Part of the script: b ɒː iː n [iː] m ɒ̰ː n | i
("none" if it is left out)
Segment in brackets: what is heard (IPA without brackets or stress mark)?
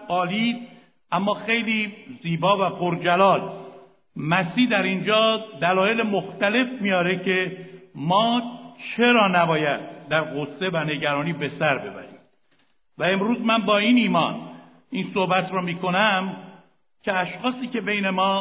iː